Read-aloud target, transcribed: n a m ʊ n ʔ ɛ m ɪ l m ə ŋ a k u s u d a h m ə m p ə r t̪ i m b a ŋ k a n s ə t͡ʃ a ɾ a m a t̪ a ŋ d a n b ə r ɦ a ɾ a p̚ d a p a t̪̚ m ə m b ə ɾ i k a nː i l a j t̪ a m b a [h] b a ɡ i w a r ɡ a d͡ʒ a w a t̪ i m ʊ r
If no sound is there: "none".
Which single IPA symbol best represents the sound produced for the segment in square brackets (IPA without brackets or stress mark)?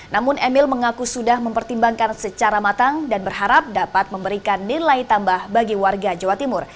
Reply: h